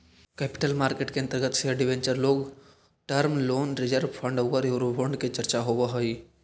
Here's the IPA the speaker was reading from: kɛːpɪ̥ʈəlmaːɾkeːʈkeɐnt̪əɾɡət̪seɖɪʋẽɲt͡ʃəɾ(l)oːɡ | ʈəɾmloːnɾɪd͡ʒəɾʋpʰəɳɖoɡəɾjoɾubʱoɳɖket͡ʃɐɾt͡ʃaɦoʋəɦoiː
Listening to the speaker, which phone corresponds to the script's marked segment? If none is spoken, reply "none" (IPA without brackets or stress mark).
l